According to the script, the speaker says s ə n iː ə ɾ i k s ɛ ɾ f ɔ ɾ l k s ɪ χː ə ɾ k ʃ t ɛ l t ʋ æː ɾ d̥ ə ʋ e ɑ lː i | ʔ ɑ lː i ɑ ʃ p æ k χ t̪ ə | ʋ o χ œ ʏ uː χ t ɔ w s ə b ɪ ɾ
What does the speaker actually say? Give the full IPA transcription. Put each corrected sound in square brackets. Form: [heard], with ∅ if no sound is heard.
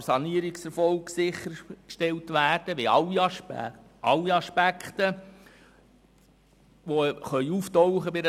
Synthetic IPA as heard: s [ɑ] n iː ə ɾ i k s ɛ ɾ f ɔ [∅] l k s ɪ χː ə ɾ k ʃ t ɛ l t ʋ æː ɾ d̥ ə ʋ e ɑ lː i | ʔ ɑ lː i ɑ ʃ p æ k χ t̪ ə | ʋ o χ œ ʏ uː [f] t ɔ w [χ] ə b ɪ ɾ